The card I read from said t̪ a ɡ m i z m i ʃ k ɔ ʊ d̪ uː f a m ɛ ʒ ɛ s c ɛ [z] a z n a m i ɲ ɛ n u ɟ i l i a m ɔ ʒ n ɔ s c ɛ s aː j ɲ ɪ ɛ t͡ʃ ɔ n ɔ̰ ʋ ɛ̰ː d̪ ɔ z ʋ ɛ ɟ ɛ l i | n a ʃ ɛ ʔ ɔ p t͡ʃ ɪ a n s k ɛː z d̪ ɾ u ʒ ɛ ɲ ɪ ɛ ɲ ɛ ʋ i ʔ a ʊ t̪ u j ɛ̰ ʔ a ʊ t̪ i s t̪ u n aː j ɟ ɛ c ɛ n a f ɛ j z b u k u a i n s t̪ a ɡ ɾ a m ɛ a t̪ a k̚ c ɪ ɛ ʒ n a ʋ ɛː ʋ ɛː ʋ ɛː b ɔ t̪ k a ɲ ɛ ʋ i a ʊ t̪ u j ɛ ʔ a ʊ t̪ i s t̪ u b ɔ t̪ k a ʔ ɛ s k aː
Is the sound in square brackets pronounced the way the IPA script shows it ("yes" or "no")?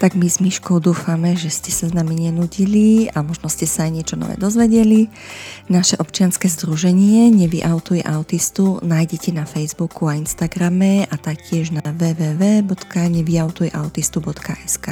no